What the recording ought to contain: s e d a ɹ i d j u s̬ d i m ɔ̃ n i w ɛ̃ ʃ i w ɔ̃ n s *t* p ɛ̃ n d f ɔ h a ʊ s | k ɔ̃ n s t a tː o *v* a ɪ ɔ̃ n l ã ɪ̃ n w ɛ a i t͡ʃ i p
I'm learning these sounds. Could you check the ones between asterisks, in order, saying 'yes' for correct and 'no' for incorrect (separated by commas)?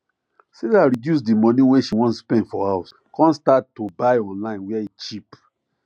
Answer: no, no